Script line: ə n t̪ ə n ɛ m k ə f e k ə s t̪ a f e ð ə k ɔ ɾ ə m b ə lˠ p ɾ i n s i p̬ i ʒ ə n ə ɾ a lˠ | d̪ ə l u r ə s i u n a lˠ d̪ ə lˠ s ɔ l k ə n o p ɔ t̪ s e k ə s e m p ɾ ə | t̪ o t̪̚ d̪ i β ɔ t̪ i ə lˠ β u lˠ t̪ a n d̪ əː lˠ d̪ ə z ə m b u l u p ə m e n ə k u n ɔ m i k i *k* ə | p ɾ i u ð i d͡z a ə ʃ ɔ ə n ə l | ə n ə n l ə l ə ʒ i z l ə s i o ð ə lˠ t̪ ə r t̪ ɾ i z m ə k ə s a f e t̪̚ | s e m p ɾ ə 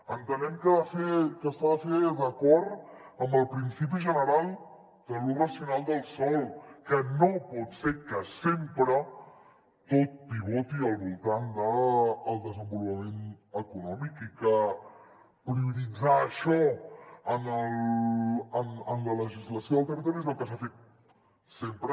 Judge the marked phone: correct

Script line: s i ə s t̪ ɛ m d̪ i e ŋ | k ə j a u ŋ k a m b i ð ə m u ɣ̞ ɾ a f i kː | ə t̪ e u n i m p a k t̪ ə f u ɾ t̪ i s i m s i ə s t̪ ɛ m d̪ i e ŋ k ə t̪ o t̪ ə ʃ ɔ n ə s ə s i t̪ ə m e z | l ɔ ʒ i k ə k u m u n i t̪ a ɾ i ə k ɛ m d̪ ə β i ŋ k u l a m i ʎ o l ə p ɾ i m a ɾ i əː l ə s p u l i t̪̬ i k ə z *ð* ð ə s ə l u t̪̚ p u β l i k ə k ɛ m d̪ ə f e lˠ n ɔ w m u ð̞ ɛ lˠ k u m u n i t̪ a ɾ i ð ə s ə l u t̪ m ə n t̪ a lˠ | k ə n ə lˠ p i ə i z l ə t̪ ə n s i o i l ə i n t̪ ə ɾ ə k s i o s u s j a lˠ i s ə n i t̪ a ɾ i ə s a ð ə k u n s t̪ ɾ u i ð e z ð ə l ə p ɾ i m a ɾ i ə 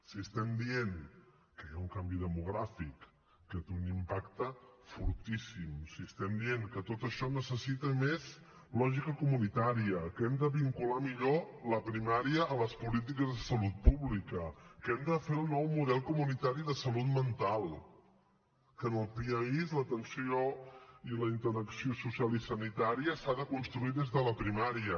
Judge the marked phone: correct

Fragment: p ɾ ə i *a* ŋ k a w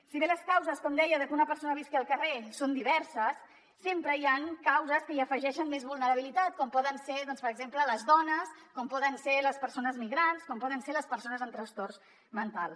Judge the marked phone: correct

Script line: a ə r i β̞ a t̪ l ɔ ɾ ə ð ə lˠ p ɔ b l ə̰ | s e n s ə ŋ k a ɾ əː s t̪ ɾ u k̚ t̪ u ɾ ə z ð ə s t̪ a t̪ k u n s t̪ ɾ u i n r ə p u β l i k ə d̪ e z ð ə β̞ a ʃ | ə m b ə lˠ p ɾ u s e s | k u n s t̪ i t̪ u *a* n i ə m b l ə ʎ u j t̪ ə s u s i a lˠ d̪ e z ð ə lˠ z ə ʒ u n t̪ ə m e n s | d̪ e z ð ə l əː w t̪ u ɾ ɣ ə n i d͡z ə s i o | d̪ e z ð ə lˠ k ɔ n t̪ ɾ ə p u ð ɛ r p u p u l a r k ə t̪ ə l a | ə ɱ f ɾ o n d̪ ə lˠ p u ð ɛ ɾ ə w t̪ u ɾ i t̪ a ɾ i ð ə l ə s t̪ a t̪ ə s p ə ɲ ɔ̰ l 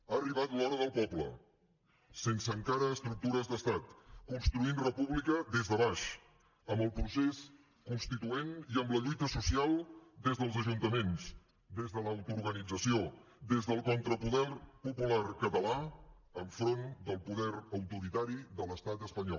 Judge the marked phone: incorrect: e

